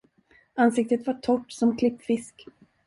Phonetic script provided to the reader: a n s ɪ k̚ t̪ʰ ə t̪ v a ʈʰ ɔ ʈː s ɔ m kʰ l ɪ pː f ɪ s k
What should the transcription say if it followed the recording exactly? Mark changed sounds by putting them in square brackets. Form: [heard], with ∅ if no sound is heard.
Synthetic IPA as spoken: a n s ɪ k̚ [t̪] ə t̪ v a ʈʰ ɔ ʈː s ɔ m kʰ l ɪ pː f ɪ s k